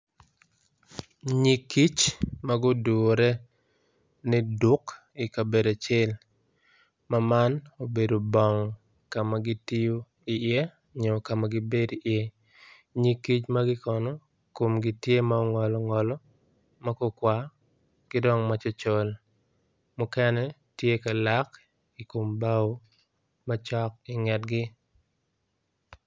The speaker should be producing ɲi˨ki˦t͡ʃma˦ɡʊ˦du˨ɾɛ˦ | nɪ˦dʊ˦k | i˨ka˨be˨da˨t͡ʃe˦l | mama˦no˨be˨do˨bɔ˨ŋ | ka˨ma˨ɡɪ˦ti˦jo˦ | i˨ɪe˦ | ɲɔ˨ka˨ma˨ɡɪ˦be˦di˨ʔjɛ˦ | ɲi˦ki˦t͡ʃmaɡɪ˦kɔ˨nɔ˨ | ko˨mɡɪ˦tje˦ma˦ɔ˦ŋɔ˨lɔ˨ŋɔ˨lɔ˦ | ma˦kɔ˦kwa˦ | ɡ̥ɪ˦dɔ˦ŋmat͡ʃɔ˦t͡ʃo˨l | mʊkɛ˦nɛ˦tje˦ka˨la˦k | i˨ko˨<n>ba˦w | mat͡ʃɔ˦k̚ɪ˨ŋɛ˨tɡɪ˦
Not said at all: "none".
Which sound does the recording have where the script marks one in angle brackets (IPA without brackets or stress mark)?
m